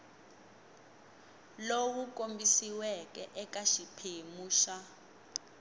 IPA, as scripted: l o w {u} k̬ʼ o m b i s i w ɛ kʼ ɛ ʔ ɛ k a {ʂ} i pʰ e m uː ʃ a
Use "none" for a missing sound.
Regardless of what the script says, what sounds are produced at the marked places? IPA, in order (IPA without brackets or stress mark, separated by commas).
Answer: u, ʃ